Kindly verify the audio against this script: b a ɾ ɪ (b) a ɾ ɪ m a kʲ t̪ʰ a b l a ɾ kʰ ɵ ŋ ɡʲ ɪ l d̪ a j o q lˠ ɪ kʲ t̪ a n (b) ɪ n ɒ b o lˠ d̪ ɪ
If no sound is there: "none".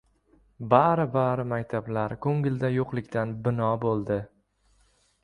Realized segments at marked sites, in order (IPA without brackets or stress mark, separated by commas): b, b